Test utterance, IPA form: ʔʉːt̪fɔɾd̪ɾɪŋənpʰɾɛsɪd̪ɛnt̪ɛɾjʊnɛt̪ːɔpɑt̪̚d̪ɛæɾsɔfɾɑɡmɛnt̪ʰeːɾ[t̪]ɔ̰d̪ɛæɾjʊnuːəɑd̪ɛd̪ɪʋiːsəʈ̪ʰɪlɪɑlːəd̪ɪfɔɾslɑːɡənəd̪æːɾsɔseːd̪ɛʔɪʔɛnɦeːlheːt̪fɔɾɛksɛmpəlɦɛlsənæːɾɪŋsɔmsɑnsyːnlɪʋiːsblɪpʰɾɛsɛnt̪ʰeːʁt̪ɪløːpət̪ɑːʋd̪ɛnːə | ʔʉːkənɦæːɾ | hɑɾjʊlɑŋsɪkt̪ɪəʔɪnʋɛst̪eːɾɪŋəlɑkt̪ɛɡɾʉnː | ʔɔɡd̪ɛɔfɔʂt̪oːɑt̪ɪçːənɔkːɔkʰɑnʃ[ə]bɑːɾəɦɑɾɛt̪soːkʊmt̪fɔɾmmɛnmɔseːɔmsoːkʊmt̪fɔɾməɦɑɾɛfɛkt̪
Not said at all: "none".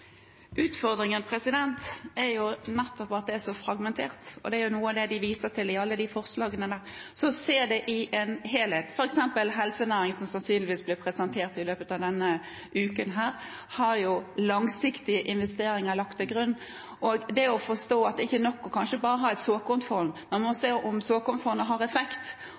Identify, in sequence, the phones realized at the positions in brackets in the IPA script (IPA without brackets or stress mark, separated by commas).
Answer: t̪, ə